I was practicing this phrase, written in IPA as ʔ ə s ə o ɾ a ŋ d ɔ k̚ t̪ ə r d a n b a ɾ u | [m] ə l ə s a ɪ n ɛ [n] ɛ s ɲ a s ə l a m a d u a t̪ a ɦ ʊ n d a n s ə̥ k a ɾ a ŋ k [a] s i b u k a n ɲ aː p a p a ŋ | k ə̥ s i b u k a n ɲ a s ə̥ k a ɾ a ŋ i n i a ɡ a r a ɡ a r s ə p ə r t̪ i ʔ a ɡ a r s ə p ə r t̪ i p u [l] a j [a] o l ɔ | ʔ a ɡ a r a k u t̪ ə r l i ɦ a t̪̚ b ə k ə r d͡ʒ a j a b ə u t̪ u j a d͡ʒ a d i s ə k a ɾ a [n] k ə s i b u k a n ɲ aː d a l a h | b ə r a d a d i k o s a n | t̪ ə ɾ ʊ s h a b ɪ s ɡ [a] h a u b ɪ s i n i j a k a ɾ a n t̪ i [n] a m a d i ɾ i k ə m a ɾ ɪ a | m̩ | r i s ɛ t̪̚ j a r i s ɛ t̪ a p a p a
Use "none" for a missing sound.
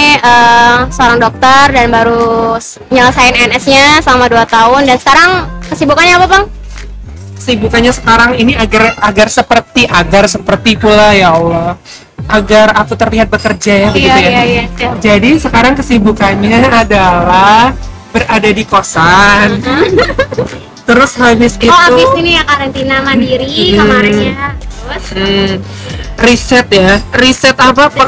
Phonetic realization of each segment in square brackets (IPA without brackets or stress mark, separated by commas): ɲ, n, ə, l, a, ŋ, i, n